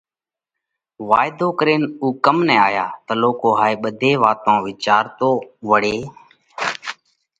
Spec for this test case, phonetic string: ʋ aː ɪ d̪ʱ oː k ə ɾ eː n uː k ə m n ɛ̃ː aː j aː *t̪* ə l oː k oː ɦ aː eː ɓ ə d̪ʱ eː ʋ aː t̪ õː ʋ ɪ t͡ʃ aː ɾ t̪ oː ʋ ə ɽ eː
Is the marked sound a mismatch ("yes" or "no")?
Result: no